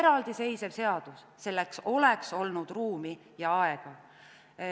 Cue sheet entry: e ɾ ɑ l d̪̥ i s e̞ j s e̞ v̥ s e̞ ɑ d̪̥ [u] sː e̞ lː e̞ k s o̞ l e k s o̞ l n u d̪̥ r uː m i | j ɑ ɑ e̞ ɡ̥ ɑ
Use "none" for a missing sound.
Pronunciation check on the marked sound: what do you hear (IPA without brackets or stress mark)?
u